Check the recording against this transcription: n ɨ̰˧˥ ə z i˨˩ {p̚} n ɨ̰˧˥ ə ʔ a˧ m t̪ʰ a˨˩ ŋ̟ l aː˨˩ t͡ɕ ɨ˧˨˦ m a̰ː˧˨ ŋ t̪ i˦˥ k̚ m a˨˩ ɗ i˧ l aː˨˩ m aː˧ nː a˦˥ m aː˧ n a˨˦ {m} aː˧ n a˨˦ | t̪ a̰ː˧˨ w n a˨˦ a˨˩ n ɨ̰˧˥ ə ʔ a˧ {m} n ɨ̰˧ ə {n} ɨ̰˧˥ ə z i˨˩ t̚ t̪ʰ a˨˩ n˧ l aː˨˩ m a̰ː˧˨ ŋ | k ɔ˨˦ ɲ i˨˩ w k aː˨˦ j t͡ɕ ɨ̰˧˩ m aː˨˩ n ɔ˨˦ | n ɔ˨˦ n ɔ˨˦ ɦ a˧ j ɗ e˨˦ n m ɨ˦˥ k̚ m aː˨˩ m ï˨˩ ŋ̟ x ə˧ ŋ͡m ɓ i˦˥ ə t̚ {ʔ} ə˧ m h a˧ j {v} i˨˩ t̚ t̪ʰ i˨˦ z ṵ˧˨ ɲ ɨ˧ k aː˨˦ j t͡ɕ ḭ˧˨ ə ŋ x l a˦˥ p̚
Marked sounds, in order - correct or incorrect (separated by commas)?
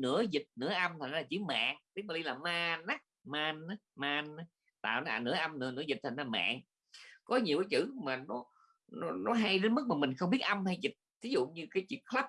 incorrect, correct, correct, correct, correct, incorrect